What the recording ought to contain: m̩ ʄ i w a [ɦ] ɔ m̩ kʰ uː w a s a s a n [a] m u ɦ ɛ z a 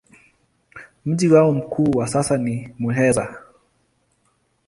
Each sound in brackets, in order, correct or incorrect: incorrect, incorrect

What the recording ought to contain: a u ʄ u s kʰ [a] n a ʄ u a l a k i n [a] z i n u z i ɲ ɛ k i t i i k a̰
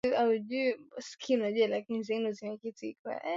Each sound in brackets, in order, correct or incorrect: incorrect, incorrect

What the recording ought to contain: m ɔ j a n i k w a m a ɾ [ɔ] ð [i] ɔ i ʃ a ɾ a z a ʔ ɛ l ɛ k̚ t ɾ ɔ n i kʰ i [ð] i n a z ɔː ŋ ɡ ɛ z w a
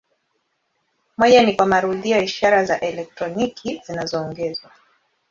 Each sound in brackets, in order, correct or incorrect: incorrect, correct, incorrect

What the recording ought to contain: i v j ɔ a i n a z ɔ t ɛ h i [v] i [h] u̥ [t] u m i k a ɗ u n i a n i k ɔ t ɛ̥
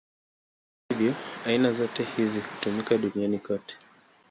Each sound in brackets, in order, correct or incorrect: incorrect, correct, correct

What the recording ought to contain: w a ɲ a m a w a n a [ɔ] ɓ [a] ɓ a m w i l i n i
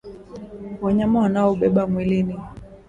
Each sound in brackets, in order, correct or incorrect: correct, incorrect

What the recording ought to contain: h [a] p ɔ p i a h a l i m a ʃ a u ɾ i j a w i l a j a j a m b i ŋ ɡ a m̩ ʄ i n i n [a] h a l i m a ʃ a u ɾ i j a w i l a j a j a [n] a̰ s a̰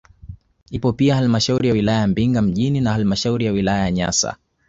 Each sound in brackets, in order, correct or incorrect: incorrect, correct, incorrect

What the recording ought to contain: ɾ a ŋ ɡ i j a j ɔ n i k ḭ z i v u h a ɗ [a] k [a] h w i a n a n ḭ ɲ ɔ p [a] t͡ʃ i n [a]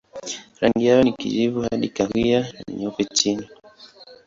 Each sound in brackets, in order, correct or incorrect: incorrect, correct, incorrect, incorrect

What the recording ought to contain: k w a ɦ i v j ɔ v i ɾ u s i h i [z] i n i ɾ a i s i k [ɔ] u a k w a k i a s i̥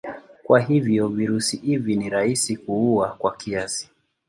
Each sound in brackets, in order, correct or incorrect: incorrect, incorrect

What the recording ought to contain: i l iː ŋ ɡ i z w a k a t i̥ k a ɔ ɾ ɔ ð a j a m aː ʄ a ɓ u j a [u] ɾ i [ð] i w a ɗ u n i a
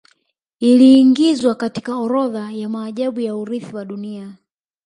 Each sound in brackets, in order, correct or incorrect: correct, incorrect

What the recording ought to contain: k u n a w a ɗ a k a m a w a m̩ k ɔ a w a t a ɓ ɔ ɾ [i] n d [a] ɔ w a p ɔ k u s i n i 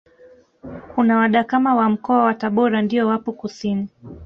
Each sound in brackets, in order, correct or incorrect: incorrect, incorrect

